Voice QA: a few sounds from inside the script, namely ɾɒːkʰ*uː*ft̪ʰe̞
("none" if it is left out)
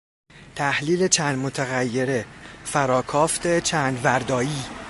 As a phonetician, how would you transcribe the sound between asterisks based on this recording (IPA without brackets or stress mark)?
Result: ɒː